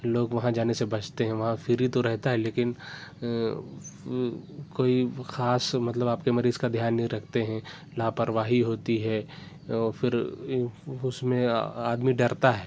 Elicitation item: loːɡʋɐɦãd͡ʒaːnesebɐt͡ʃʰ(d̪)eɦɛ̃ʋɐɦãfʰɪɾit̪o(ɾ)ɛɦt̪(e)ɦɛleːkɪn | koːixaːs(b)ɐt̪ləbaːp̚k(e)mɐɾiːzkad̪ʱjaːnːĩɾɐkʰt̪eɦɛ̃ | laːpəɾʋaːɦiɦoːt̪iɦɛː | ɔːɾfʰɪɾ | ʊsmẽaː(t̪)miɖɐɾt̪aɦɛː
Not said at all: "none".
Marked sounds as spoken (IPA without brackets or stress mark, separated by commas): t̪, ɾ, a, m, e, d̪